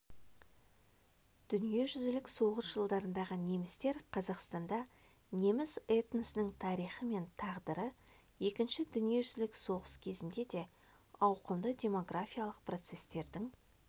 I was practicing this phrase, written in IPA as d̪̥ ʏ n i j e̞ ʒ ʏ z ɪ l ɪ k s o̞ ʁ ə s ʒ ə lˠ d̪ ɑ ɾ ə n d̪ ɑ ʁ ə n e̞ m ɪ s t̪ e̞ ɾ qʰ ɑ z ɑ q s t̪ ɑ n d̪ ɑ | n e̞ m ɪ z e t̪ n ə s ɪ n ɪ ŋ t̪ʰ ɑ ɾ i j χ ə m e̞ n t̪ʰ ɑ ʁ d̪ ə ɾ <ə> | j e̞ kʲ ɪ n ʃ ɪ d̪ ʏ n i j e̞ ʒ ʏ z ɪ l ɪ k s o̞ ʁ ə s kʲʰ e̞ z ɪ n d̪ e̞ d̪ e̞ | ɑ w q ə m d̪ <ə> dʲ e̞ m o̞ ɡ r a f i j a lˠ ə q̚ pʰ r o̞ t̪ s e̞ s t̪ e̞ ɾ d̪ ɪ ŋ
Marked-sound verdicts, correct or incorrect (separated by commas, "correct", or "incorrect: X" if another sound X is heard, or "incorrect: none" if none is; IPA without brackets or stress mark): correct, correct